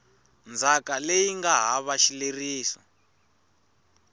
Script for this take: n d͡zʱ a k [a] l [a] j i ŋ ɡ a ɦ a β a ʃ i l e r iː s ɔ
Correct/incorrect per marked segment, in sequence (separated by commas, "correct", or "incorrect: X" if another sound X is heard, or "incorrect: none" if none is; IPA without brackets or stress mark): correct, incorrect: e